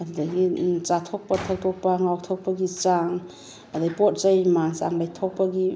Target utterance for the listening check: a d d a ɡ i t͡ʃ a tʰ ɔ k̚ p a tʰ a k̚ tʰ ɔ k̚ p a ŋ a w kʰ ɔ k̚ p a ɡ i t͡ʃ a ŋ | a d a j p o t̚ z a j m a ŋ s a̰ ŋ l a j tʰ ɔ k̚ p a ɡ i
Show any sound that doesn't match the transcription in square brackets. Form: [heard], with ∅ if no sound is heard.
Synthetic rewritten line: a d d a ɡ i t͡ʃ a tʰ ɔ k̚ p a tʰ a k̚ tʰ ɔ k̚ p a ŋ a w [tʰ] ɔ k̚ p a ɡ i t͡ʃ a ŋ | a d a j p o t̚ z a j m a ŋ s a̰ ŋ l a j tʰ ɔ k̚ p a ɡ i